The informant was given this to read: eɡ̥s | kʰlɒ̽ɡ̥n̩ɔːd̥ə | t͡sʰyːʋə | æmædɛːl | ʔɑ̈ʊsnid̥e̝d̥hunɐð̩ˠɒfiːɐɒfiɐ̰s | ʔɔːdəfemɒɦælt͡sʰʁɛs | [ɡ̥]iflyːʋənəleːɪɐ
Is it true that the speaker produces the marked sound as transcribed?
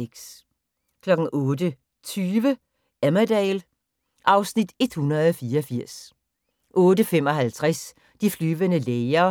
no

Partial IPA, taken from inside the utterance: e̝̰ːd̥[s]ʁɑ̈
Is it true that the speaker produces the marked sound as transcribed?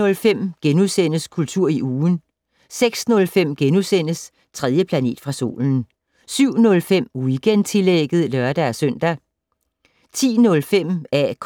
no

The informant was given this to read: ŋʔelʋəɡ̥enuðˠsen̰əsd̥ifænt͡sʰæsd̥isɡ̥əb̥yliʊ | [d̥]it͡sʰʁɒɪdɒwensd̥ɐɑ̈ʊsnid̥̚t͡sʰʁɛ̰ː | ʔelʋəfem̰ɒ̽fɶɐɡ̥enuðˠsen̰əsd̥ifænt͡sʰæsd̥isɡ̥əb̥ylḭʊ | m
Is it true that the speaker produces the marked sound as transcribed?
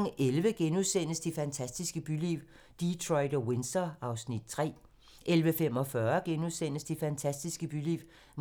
yes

